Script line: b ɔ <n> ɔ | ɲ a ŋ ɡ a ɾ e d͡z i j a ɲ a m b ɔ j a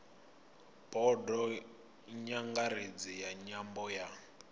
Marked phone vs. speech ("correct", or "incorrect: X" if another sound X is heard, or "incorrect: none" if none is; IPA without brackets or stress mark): incorrect: d